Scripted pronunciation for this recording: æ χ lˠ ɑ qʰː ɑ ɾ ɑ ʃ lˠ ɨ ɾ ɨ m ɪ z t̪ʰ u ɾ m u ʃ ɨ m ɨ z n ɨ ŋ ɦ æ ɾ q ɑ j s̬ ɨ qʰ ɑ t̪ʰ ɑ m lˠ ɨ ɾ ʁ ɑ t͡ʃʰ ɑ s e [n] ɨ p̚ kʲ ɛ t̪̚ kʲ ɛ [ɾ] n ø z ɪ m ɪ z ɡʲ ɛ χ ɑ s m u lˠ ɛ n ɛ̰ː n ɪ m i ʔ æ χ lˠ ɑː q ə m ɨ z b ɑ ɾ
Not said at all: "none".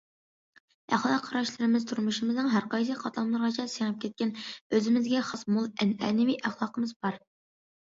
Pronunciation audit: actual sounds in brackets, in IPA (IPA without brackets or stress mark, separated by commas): ŋ, none